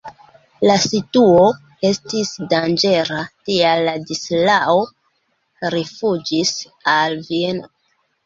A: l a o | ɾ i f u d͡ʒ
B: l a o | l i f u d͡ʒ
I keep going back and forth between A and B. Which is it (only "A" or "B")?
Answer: A